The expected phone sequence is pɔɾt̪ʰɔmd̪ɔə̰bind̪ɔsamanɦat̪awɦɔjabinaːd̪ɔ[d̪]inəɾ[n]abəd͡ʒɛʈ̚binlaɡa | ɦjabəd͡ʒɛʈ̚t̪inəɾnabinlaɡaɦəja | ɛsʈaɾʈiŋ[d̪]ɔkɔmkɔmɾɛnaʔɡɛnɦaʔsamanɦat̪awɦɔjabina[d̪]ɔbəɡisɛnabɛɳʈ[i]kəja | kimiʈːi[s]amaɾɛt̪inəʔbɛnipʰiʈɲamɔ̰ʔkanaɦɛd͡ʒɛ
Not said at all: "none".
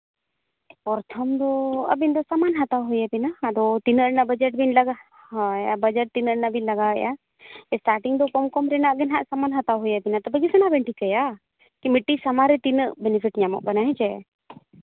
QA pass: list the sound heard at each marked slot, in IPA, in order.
t̪, n, d̪, t̪, i, s

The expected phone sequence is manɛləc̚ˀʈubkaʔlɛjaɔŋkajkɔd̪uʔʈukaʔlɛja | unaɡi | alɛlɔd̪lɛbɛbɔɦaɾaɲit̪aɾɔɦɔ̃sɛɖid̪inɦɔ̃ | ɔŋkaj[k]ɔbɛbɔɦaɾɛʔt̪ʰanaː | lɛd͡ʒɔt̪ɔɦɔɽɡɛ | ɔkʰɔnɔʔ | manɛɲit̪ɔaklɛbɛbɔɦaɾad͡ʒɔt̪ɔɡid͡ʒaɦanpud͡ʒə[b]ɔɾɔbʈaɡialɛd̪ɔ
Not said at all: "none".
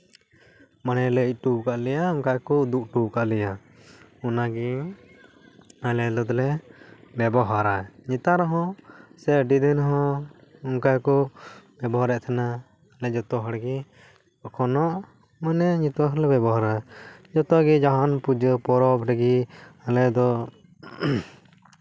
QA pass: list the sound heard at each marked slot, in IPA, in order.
k, p

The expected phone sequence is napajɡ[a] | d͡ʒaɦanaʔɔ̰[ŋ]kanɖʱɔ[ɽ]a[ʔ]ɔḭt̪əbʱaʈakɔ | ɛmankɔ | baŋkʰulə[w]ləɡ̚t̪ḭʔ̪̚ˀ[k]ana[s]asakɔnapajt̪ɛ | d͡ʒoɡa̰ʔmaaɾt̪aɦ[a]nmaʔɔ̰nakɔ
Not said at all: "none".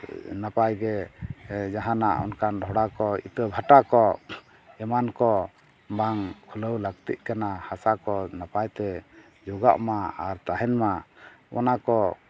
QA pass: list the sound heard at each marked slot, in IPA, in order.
ɛ, n, ɽ, k, w, k, h, ɛ

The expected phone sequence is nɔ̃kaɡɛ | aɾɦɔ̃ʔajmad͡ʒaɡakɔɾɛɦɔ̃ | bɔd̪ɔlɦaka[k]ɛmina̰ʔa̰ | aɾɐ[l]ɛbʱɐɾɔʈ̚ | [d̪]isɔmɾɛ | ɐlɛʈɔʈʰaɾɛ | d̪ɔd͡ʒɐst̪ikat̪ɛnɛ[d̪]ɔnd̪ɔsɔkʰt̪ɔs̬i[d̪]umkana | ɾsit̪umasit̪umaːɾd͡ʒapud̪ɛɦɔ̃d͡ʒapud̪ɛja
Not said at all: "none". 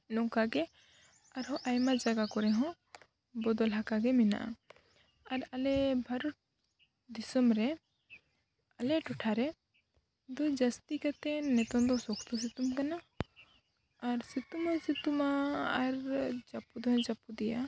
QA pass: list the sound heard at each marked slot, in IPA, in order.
ɡ, l, d̪, t̪, t̪

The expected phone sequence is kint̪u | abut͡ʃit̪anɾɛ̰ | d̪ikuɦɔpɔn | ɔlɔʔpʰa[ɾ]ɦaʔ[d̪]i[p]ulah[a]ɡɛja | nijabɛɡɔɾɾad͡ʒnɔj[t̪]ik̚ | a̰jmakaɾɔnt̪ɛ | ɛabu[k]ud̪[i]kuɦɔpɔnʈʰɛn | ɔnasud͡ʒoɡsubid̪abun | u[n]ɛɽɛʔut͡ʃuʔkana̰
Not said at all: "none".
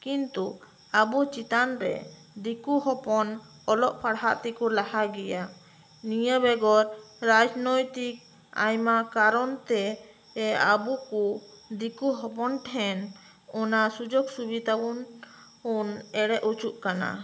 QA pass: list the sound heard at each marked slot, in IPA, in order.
ɽ, t̪, k, a, t̪, k, i, n

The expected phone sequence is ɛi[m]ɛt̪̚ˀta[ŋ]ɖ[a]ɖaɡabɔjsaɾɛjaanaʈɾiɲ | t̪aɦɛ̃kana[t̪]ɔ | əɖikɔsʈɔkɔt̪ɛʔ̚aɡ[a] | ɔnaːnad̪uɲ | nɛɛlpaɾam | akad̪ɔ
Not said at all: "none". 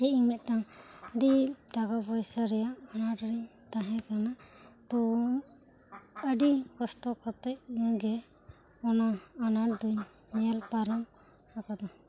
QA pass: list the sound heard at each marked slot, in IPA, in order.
m, ŋ, i, t̪, ɛ

